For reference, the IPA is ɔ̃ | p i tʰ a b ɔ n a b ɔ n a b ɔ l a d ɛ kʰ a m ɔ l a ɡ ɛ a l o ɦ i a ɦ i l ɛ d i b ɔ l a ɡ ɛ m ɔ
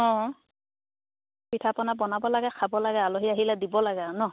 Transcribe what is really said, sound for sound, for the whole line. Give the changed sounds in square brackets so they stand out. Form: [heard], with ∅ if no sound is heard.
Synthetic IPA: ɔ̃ | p i tʰ a [p] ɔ n a b ɔ n a b ɔ l a [ɡ] ɛ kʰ a [b] ɔ l a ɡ ɛ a l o ɦ i a ɦ i l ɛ d i b ɔ l a ɡ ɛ [n] ɔ